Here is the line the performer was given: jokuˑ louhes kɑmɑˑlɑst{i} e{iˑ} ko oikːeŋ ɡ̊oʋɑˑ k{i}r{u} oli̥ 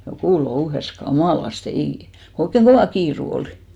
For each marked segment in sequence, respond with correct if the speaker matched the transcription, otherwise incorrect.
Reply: incorrect, correct, incorrect, correct

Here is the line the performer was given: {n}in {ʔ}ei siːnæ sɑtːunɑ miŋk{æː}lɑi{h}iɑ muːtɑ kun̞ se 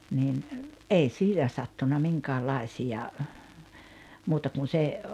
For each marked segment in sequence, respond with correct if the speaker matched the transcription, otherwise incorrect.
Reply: correct, correct, correct, incorrect

